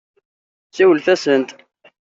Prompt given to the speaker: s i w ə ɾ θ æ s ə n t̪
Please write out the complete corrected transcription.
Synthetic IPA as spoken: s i w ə l θ æ s ə n t̪